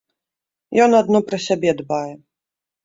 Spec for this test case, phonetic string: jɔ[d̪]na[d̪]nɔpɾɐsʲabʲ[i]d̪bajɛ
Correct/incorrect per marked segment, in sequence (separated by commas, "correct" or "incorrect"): incorrect, correct, incorrect